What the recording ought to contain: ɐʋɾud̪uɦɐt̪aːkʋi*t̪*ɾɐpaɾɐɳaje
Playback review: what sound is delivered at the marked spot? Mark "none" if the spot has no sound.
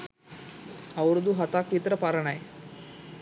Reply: t̪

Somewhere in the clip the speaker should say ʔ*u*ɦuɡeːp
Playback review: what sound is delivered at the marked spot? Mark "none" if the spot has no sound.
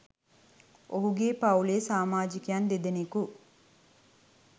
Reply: o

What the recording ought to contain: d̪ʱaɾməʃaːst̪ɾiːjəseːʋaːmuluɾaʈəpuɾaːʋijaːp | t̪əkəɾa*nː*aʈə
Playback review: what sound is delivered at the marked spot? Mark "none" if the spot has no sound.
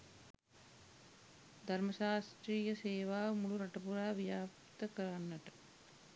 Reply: nː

